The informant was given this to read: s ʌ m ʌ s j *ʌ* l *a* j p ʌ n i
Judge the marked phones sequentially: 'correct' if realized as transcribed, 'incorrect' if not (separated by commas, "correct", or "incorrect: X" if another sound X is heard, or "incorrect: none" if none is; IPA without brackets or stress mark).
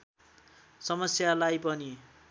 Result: incorrect: a, correct